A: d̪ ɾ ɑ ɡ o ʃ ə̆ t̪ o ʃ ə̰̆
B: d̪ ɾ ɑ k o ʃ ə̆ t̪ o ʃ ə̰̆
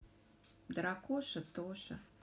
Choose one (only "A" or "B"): B